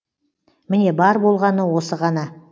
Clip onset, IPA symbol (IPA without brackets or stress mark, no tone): m